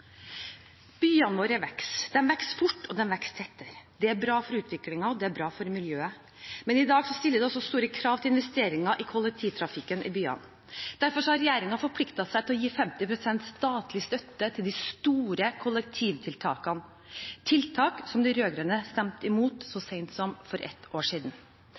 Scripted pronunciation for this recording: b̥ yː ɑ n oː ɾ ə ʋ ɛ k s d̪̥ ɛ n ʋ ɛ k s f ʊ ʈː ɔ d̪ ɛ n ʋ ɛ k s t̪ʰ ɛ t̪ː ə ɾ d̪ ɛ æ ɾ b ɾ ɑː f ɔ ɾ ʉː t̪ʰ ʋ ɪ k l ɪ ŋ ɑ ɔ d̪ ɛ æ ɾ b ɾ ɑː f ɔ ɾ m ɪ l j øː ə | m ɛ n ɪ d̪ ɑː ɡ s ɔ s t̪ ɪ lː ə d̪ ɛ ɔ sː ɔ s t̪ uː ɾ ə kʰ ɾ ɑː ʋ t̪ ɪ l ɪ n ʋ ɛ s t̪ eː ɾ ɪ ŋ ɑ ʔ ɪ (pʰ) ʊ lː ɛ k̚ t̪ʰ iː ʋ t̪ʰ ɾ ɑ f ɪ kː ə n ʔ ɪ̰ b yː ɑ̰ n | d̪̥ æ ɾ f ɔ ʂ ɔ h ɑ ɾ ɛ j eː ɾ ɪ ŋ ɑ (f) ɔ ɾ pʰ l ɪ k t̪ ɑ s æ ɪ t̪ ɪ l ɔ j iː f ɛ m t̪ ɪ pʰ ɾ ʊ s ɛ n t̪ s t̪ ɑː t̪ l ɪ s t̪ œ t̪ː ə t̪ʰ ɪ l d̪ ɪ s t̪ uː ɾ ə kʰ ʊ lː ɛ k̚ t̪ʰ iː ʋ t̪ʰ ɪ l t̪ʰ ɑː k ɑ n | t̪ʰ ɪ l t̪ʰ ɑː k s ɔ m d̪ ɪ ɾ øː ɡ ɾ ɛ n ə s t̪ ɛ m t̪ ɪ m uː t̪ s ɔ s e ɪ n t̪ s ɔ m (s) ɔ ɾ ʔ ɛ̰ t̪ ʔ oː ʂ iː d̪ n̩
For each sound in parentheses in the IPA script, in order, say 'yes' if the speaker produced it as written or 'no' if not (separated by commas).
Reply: no, yes, no